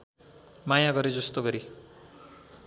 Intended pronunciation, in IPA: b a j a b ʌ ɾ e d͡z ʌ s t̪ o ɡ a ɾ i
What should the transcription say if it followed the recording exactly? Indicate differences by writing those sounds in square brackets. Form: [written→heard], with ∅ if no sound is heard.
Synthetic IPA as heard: [b→m] a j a [b→ɡ] ʌ ɾ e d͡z ʌ s t̪ o ɡ [a→ʌ] ɾ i